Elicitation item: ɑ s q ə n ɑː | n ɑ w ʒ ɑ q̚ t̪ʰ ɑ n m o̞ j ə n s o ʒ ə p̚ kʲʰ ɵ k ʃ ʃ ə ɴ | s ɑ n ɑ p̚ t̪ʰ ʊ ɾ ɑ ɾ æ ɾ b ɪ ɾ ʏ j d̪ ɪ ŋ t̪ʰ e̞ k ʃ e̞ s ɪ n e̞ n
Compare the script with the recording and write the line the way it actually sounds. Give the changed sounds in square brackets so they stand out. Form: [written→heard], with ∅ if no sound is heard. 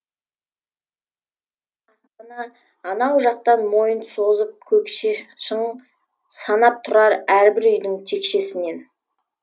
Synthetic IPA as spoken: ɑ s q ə n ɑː | n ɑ w ʒ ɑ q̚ [t̪ʰ→t̪] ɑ n m o̞ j ə n s o [ʒ→z] ə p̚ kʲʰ ɵ k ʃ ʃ ə ɴ | s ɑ n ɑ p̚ t̪ʰ ʊ ɾ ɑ ɾ æ ɾ b ɪ ɾ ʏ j d̪ ɪ ŋ t̪ʰ e̞ k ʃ e̞ s ɪ n e̞ n